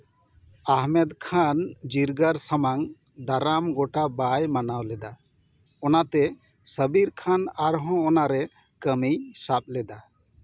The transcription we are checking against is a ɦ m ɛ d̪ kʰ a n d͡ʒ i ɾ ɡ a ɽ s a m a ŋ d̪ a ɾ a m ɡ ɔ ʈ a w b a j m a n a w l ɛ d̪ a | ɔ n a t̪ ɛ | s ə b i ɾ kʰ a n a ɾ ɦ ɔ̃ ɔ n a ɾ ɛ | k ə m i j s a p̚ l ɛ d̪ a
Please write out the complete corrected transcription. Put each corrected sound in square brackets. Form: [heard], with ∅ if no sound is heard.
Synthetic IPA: a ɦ m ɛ d̪ kʰ a n d͡ʒ i ɾ ɡ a [ɾ] s a m a ŋ d̪ a ɾ a m ɡ ɔ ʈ a [∅] b a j m a n a w l ɛ d̪ a | ɔ n a t̪ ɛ | s ə b i ɾ kʰ a n a ɾ ɦ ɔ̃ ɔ n a ɾ ɛ | k ə m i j s a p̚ l ɛ d̪ a